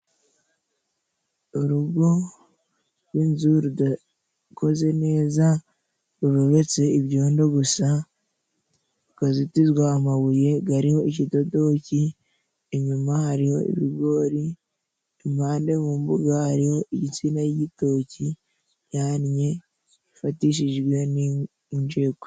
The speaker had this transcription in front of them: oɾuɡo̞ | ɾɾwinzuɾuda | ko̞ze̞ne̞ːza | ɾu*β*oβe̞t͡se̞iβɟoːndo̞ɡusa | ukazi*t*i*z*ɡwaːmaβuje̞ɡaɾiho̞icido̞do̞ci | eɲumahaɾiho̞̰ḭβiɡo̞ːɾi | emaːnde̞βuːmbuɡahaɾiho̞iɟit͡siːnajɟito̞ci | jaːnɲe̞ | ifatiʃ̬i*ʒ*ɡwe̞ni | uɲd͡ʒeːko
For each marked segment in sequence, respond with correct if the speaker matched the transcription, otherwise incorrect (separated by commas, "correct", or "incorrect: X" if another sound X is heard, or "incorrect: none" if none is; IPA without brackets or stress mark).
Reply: correct, correct, correct, correct